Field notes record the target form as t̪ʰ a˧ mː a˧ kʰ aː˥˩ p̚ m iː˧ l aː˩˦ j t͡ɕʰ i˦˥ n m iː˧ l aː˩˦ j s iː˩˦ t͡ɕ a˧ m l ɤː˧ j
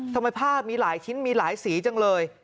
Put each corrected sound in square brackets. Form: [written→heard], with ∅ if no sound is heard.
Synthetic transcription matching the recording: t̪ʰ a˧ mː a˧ [kʰ→pʰ] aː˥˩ p̚ m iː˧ l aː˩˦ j t͡ɕʰ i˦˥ n m iː˧ l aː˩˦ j s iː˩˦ t͡ɕ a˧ [m→ŋ] l ɤː˧ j